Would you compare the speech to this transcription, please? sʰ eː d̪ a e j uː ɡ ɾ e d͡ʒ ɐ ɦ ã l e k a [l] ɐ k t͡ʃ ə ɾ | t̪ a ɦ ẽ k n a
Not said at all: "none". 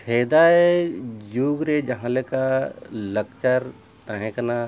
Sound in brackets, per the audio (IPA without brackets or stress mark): l